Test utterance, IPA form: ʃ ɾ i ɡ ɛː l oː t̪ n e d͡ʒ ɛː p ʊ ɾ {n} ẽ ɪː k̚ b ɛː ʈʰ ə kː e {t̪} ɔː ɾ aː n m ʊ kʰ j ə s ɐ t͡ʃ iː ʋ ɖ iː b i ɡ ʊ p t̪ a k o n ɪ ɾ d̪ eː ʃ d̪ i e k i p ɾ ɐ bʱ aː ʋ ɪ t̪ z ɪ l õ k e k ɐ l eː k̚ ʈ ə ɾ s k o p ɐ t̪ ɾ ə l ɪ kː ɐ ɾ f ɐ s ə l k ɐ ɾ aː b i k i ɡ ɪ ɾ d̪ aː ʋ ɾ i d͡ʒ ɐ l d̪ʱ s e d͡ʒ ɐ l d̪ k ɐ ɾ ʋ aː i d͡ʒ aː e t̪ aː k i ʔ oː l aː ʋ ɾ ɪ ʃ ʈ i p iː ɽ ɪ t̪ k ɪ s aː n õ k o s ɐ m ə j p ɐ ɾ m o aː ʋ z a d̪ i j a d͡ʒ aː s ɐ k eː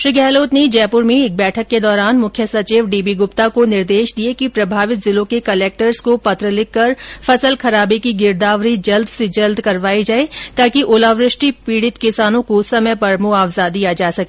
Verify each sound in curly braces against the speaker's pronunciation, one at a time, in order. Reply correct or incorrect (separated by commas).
incorrect, incorrect